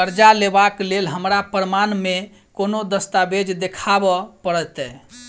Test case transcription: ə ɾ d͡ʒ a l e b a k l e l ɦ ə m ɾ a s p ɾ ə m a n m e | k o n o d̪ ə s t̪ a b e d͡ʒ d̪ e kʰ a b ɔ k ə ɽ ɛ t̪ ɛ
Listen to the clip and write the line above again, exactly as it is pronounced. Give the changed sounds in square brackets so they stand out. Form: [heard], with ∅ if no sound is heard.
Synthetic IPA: ə ɾ d͡ʒ a l e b a k l e l ɦ ə m ɾ a [∅] p ɾ ə m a n m e | k o n o d̪ ə s t̪ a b e d͡ʒ d̪ e kʰ a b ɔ [p] ə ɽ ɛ t̪ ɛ